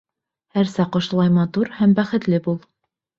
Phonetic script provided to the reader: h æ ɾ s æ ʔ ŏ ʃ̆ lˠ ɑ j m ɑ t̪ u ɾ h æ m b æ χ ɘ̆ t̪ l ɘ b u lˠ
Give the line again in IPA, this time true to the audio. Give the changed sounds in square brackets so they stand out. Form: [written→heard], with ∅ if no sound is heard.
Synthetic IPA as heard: h æ ɾ s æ [ʔ→q] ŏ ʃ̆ lˠ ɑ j m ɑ t̪ u ɾ h æ m b æ χ ɘ̆ t̪ l ɘ b u lˠ